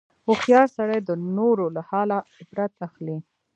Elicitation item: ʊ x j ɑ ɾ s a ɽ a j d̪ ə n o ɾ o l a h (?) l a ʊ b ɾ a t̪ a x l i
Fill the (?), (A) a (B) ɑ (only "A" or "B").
B